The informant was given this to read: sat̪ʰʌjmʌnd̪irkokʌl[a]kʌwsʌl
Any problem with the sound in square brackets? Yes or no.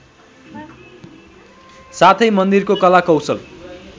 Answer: no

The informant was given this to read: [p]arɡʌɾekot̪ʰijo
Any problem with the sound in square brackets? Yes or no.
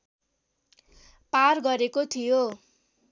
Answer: no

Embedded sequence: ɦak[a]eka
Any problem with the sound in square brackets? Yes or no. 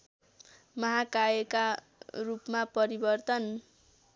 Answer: no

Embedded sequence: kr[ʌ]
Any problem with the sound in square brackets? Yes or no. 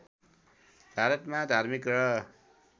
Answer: no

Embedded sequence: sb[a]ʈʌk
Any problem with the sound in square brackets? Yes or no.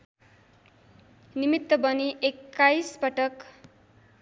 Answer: yes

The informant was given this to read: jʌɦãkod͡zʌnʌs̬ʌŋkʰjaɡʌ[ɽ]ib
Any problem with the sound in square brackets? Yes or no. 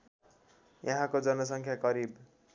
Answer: yes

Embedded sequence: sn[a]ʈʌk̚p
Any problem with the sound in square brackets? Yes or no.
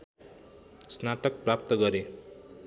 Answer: no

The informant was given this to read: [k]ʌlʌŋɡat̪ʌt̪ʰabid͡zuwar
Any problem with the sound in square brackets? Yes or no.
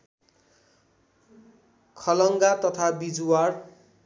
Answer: yes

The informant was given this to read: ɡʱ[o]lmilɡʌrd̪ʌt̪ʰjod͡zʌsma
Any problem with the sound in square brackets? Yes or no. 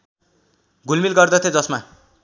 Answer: yes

